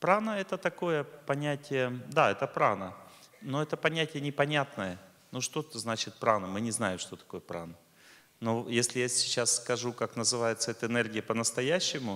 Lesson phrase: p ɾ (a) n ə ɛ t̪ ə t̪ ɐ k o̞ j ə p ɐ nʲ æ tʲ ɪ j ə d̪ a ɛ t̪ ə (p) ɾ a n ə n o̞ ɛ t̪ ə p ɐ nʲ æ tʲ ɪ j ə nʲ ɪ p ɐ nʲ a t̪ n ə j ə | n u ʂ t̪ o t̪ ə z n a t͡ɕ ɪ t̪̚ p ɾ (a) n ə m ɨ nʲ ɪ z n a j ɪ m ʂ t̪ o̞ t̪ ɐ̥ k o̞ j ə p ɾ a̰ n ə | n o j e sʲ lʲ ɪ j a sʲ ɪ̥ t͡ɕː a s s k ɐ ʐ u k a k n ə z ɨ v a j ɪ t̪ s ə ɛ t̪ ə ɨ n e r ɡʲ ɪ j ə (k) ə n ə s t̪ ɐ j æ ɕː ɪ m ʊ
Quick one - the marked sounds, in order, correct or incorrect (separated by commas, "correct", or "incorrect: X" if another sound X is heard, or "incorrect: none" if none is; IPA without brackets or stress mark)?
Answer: correct, correct, correct, incorrect: p